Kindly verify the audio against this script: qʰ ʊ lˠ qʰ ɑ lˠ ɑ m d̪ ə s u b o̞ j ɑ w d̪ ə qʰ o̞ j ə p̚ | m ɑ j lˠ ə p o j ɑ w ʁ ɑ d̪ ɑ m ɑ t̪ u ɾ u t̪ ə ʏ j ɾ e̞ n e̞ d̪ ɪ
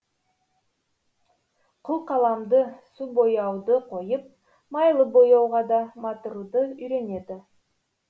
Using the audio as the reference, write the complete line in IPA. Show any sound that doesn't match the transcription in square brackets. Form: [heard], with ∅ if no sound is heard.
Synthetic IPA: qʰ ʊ lˠ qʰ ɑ lˠ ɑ m d̪ ə s u b o̞ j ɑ w d̪ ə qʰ o̞ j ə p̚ | m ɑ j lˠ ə [b] o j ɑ w ʁ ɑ d̪ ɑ m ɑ t̪ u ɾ u [d̪] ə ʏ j ɾ e̞ n e̞ d̪ ɪ

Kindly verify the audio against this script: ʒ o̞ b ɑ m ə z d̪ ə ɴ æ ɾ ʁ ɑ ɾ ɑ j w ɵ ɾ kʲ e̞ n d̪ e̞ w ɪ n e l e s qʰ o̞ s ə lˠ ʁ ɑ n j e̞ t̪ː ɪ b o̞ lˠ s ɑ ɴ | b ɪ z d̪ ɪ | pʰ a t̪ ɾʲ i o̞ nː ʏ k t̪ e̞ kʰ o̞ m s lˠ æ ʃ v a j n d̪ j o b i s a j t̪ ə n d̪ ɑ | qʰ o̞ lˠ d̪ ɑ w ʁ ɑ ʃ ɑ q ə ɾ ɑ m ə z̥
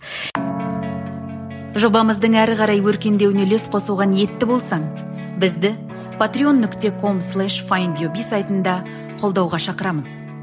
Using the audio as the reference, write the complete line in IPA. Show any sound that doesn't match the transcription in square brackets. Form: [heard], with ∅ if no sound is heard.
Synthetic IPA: ʒ o̞ b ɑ m ə z d̪ ə ɴ æ ɾ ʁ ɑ ɾ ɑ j w ɵ ɾ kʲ e̞ n d̪ e̞ w ɪ n e l e s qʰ o̞ s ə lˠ ʁ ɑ n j e̞ t̪ː ɪ b o̞ lˠ s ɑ ɴ | b ɪ z d̪ ɪ | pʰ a t̪ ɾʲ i o̞ nː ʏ k t̪ e̞ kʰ o̞ m s lˠ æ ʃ [f] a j n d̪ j o b i s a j t̪ ə n d̪ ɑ | qʰ o̞ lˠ d̪ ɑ w ʁ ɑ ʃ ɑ q ə ɾ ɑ m ə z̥

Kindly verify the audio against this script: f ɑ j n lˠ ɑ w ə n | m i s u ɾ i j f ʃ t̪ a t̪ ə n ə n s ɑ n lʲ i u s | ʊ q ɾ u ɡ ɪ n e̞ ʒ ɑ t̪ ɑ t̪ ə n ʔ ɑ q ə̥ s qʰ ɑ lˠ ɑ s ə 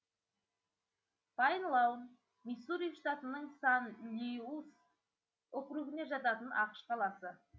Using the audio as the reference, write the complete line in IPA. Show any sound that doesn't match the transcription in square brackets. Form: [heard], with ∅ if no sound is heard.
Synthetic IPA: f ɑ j n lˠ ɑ w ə n | m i s u ɾ i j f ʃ t̪ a t̪ ə n ə [ɴ] s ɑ n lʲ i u s | ʊ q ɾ u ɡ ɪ n e̞ ʒ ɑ t̪ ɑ t̪ ə n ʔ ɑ q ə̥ [ʃ] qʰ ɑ lˠ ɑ s ə

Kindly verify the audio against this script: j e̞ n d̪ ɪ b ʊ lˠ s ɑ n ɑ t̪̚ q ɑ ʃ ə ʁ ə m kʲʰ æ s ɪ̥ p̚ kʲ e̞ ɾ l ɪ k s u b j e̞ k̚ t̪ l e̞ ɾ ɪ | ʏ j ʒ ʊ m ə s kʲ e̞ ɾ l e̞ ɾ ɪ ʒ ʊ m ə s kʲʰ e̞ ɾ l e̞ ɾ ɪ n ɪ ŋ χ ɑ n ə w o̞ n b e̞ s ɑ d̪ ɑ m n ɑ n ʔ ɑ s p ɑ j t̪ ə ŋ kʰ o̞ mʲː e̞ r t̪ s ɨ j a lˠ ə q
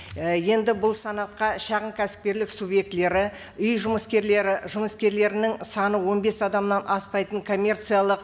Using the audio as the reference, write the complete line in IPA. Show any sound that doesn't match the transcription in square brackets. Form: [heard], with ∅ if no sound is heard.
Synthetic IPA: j e̞ n d̪ ɪ b ʊ lˠ s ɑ n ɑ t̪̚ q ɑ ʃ [ɑ] ʁ ə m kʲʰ æ s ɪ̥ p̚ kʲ e̞ ɾ l ɪ k s u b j e̞ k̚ t̪ l e̞ ɾ ɪ | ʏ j ʒ ʊ m ə s kʲ e̞ ɾ l e̞ ɾ ɪ ʒ ʊ m ə s [kʲ] e̞ ɾ l e̞ ɾ ɪ n ɪ ŋ [s] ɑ n ə w o̞ n b e̞ s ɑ d̪ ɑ m n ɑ n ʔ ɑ s p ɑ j t̪ ə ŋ kʰ o̞ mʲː e̞ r t̪ s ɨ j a lˠ ə q

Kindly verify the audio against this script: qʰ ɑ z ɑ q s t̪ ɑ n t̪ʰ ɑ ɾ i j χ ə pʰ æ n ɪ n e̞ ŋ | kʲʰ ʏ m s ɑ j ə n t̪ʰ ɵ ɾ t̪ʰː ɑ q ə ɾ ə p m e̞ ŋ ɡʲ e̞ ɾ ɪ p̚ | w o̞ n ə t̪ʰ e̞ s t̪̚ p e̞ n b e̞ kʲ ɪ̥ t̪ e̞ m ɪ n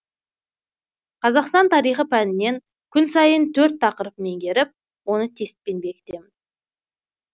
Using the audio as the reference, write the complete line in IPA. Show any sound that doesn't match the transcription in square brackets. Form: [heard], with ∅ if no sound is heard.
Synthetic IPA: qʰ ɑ z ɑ q s t̪ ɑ n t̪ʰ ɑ ɾ i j χ ə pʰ æ n ɪ n e̞ ŋ | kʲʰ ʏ [n] s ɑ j ə n t̪ʰ ɵ ɾ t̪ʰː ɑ q ə ɾ ə p m e̞ ŋ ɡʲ e̞ ɾ ɪ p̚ | w o̞ n ə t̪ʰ e̞ s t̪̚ p e̞ n b e̞ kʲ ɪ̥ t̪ e̞ m ɪ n

